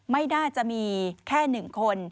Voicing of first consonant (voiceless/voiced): voiced